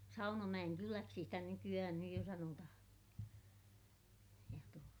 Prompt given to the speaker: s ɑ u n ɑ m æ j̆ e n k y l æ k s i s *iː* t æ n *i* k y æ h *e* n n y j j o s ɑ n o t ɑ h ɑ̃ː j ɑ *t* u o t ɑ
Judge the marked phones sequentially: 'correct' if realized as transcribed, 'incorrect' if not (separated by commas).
incorrect, incorrect, incorrect, correct